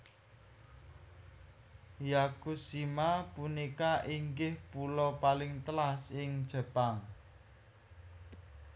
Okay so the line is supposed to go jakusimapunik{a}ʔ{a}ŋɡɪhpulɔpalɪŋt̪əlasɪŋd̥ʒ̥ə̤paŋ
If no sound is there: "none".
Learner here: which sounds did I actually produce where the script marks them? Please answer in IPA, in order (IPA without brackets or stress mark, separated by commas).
a, i